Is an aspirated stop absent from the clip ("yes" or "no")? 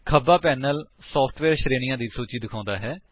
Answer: no